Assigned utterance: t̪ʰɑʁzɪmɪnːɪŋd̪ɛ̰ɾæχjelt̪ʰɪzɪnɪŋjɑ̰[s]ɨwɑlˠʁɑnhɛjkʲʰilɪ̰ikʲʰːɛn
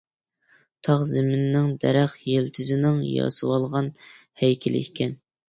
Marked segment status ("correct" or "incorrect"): correct